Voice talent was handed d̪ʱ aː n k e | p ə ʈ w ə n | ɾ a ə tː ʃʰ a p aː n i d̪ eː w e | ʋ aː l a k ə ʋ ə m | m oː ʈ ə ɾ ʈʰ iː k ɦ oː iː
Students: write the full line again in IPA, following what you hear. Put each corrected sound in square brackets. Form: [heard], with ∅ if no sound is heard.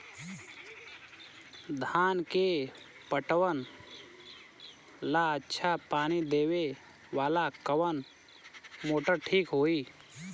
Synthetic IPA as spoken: d̪ʱ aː n k e | p ə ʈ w ə n | [l] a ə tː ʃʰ a p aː n i d̪ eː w e | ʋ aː l a k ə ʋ ə [n] | m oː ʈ ə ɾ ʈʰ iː k ɦ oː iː